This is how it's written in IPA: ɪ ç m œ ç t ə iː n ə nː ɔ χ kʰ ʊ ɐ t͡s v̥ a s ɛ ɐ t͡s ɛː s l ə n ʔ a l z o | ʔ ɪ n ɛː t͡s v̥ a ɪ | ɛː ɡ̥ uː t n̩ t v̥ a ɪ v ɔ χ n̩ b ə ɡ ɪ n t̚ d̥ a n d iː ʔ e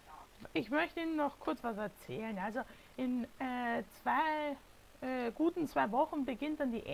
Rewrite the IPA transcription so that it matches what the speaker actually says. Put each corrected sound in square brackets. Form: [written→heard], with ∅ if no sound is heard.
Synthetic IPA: ɪ ç m œ ç t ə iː n ə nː ɔ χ kʰ ʊ ɐ t͡s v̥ a s ɛ ɐ t͡s ɛː [s→∅] l ə n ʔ a l z o | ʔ ɪ n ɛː t͡s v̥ a ɪ | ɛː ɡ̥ uː t n̩ [t→t͡s] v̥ a ɪ v ɔ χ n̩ b ə ɡ ɪ n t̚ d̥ a n d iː ʔ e